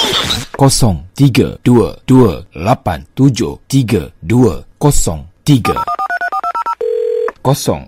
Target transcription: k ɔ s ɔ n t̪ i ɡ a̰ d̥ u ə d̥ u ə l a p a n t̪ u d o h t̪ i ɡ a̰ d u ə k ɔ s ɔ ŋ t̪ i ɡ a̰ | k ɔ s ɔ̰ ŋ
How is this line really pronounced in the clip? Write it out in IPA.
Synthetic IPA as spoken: k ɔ s ɔ ŋ t̪ i ɡ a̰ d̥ u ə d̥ u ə l a p a n t̪ u d͡ʒ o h t̪ i ɡ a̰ d u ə k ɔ s ɔ ŋ t̪ i ɡ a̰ | k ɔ s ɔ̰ ŋ